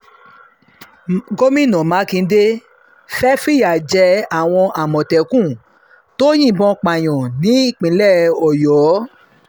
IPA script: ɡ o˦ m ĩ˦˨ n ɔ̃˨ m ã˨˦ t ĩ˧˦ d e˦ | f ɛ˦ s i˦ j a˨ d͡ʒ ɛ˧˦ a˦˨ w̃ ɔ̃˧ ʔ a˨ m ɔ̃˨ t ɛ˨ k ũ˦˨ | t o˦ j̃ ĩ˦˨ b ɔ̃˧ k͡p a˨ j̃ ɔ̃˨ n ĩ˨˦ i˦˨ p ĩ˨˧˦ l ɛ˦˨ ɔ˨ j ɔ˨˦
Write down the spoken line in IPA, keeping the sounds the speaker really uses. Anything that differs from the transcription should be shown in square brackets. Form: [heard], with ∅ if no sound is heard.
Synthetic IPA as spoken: ɡ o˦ m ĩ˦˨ n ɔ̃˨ m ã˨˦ [k] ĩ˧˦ d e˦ | f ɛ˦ [f] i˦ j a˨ d͡ʒ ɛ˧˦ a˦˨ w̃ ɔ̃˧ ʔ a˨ m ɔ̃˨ t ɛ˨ k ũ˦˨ | t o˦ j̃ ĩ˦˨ b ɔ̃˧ k͡p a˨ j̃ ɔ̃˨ n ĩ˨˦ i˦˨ [k͡p] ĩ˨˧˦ l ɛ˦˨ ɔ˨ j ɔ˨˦